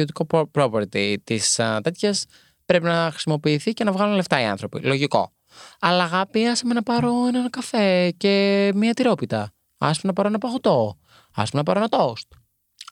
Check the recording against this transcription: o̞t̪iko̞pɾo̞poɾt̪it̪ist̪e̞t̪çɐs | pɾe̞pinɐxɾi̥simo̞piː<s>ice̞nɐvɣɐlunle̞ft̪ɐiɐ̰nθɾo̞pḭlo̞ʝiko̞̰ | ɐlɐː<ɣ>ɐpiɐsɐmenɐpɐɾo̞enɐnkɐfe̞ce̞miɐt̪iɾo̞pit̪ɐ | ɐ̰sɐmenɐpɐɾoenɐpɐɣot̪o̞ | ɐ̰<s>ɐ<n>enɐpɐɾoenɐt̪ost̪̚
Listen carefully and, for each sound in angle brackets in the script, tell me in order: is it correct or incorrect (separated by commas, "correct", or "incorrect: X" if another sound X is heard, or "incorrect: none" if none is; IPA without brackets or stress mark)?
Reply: incorrect: θ, correct, correct, incorrect: m